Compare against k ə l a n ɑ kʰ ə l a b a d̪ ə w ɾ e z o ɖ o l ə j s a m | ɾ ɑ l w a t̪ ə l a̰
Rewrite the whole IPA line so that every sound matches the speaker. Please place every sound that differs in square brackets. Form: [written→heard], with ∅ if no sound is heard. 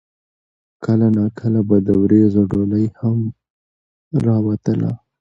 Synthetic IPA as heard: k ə l a n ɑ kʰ ə l a b a d̪ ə w ɾ e z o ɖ o l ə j [s→h] a m | ɾ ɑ [l→∅] w a t̪ ə l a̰